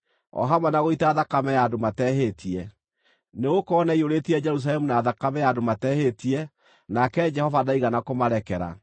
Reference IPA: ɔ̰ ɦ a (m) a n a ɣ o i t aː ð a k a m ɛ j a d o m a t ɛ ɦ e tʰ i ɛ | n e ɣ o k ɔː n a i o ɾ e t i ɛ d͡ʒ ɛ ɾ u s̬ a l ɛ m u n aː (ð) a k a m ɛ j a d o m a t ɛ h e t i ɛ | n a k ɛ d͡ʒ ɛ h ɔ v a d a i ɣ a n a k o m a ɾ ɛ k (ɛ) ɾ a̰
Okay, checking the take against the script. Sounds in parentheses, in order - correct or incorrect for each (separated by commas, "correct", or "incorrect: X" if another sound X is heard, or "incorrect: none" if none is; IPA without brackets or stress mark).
correct, correct, correct